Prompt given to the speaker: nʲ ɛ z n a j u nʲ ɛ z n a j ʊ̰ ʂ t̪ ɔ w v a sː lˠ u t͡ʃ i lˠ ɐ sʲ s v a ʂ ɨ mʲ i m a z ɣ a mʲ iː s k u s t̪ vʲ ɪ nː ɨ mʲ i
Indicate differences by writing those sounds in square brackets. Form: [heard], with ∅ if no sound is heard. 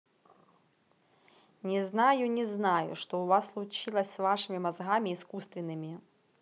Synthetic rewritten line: nʲ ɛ z n a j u nʲ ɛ z n a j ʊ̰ ʂ t̪ ɔ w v a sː lˠ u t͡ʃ i lˠ ɐ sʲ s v a ʂ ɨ mʲ i m a z ɣ a mʲ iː s k u s t̪ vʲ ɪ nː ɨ mʲ i